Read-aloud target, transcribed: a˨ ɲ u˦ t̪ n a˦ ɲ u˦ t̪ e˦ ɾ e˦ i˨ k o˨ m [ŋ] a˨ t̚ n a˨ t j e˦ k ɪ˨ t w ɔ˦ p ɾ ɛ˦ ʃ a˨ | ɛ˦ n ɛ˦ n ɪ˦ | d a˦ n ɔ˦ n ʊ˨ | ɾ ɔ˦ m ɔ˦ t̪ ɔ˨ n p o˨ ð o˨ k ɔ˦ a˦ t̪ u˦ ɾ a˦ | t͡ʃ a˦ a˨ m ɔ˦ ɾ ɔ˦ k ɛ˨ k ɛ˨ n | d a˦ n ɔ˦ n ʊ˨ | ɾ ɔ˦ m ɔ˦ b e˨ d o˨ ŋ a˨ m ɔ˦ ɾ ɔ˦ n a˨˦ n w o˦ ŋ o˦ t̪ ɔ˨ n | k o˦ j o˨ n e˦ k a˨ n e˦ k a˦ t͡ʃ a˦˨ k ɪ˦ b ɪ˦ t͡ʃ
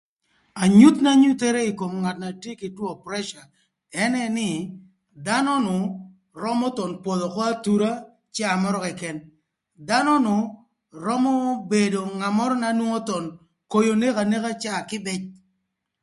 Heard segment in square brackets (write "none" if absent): ŋ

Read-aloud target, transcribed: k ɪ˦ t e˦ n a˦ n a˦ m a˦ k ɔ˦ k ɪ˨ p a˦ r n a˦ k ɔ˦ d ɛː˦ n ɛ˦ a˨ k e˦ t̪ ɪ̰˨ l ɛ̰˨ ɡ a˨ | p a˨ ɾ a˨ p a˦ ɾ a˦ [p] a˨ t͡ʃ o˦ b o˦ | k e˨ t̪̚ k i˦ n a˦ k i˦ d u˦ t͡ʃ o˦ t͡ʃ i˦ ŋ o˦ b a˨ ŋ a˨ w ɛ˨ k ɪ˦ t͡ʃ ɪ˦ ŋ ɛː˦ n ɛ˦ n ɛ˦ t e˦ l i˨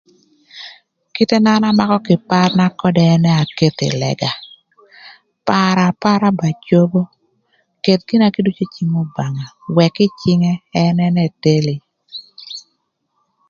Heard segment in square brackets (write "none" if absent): b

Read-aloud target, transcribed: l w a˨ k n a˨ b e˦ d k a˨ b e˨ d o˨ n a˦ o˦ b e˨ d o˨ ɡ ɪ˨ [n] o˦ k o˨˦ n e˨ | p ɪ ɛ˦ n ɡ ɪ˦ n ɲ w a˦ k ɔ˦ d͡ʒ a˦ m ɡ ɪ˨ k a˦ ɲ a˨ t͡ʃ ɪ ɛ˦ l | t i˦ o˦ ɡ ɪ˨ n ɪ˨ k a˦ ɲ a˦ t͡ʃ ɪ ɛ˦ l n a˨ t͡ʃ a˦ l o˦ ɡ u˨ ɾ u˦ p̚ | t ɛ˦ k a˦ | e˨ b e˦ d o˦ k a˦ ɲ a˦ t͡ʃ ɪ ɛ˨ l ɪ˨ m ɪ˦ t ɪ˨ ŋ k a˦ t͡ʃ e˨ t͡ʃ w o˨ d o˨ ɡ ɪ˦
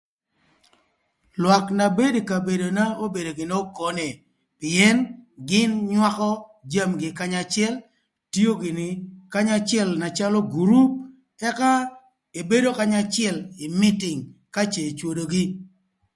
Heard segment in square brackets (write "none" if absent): n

